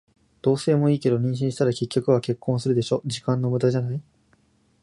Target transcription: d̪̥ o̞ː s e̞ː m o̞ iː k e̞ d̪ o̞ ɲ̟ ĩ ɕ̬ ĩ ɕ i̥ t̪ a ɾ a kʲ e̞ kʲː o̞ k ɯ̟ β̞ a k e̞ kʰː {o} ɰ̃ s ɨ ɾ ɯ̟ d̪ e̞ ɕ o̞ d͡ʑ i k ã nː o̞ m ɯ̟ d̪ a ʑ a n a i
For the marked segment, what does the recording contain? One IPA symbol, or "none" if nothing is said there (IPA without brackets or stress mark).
õ